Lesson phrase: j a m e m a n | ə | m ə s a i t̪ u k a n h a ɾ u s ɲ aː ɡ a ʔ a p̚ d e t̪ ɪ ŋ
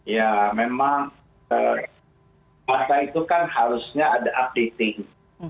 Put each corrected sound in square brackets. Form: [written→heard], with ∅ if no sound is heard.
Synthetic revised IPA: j a m e m a [n→ŋ] | ə | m [ə→a] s a i t̪ u k a n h a ɾ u s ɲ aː [ɡ→d] a ʔ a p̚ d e t̪ ɪ ŋ